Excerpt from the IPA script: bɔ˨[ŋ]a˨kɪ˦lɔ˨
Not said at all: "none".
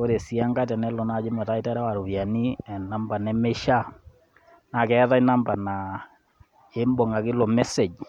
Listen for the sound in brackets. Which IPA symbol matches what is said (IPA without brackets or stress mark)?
ŋ